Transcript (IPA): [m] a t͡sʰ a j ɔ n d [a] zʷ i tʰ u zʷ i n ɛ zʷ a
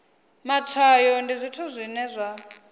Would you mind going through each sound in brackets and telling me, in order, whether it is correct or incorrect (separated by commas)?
correct, incorrect